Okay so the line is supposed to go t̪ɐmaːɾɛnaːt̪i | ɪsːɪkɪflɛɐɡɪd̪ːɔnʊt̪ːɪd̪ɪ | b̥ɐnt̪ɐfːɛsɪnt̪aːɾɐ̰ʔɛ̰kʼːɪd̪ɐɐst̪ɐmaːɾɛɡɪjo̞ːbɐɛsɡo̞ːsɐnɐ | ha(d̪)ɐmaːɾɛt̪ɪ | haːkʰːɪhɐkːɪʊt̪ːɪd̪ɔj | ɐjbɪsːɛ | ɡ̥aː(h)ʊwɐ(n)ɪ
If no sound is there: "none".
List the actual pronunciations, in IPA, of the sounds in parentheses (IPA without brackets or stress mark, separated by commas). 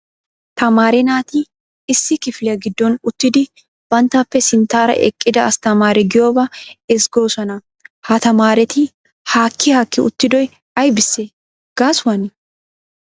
t̪, s, n